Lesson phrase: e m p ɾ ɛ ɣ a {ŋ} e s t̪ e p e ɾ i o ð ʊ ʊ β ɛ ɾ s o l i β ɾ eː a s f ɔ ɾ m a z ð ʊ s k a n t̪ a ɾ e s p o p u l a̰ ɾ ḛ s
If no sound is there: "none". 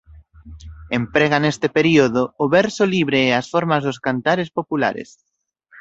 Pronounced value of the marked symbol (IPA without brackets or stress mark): n